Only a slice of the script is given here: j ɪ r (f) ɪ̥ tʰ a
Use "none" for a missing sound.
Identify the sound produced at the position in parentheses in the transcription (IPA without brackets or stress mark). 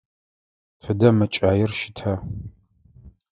ʃ